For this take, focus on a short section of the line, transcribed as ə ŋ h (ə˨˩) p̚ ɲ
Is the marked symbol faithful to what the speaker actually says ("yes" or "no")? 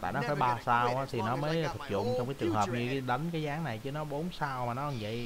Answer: no